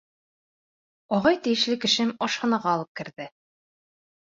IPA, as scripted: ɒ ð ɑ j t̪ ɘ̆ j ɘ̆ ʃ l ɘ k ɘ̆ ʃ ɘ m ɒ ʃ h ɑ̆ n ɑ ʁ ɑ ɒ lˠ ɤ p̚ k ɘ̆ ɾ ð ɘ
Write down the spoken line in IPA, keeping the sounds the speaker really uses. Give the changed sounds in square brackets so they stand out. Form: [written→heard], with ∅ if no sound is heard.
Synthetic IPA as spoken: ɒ [ð→ʁ] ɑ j t̪ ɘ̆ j ɘ̆ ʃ l ɘ k ɘ̆ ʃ ɘ m ɒ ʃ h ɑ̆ n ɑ ʁ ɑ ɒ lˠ ɤ p̚ k ɘ̆ ɾ ð ɘ